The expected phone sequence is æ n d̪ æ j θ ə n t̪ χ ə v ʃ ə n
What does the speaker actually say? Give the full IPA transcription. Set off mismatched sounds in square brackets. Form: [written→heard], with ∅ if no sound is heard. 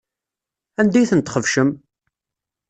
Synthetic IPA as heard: æ n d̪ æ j θ ə n t̪ χ ə v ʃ ə [n→m]

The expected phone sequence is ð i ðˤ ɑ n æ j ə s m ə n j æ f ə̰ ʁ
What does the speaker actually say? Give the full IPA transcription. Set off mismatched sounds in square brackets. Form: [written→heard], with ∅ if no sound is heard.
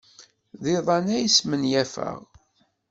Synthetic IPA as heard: ð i ðˤ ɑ n æ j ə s m ə n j æ f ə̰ ʁ

